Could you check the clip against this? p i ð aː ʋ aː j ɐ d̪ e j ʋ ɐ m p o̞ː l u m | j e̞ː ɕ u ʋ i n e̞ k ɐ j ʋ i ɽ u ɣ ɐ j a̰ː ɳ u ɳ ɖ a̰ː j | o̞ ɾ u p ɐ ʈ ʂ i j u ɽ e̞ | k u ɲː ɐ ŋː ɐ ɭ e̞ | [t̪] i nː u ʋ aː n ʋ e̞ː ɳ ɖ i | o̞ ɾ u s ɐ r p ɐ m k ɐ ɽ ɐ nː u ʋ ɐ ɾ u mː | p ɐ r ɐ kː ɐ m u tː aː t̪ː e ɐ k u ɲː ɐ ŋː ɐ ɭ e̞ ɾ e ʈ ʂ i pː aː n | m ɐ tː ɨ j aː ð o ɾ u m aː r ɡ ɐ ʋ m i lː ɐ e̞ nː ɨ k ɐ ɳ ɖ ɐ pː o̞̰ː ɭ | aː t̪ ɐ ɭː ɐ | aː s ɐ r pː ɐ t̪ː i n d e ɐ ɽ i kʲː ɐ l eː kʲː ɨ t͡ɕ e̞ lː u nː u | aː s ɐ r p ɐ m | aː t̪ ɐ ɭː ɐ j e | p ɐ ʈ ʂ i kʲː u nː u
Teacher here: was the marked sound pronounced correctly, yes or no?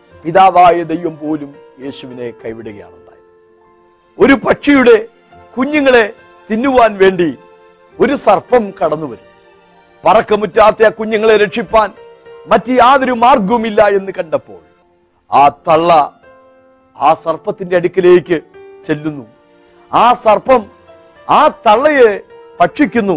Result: yes